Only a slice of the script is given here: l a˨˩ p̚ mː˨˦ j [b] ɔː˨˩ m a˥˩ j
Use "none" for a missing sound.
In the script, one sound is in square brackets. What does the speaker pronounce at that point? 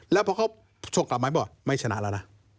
b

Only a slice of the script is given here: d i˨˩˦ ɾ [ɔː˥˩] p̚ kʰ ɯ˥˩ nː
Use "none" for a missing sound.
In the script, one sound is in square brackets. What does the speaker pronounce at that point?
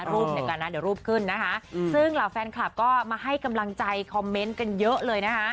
uː˥˩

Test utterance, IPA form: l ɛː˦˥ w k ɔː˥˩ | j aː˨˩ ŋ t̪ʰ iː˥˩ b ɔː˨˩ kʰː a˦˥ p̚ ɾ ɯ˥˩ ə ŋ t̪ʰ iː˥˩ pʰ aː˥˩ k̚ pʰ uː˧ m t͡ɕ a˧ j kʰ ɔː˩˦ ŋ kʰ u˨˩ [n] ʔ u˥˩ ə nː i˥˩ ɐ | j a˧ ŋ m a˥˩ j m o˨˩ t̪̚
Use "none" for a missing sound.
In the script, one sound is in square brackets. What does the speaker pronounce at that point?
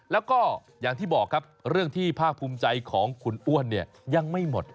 n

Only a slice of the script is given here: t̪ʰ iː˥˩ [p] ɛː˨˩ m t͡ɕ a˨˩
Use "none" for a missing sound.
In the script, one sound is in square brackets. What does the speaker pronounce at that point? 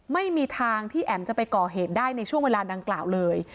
ʔ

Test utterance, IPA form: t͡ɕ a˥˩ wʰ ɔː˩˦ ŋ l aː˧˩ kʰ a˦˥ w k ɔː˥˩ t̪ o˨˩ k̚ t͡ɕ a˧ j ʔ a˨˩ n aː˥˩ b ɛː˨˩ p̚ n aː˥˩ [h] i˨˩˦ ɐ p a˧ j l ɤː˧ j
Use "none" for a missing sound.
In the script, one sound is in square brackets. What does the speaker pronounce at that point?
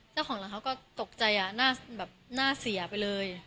s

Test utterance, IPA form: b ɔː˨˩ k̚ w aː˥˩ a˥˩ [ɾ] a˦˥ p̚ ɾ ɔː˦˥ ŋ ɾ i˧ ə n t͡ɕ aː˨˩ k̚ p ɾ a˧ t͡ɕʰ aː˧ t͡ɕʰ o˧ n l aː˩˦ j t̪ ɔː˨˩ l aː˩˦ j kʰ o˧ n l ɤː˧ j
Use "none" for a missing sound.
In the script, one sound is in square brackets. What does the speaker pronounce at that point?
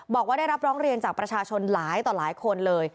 ɾ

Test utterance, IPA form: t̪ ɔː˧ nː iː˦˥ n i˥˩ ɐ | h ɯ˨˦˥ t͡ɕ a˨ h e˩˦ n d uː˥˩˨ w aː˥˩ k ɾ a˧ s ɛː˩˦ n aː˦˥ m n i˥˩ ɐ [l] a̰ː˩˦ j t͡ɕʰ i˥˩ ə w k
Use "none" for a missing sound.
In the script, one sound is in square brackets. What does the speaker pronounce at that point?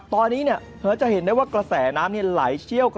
l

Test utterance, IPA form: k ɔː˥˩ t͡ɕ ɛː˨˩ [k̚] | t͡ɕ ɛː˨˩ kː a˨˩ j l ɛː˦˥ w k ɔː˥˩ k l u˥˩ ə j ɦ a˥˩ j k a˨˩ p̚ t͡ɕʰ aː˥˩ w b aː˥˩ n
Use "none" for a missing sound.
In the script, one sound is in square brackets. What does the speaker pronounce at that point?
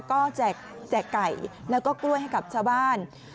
k̚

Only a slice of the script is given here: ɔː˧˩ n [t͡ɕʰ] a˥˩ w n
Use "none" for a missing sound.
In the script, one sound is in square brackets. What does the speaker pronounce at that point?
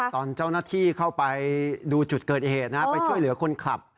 t͡ɕ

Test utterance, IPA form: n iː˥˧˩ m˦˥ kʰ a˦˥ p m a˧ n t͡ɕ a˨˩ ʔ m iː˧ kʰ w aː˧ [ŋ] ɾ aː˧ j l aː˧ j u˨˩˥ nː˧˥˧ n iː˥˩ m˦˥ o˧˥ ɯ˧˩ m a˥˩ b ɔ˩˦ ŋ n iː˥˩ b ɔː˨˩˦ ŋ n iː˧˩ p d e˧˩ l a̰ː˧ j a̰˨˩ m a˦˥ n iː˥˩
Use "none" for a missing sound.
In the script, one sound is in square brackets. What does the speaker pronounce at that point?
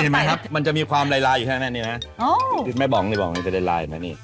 m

